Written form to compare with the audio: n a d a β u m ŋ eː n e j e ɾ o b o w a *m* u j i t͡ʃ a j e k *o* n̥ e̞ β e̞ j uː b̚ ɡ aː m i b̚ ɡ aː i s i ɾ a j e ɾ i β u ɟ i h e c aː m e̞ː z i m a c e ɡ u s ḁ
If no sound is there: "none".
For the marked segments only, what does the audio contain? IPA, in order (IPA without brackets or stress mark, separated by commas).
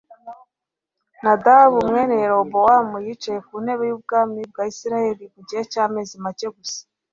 m, u